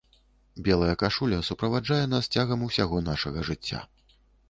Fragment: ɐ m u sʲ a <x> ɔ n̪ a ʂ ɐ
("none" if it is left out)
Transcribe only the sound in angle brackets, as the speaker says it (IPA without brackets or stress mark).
ɣ